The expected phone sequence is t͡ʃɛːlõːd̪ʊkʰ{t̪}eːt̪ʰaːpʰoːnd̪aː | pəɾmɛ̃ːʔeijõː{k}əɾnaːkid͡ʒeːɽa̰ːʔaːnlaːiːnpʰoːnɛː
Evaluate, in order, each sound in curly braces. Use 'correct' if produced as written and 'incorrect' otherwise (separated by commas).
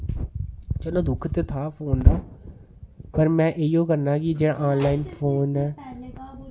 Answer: correct, correct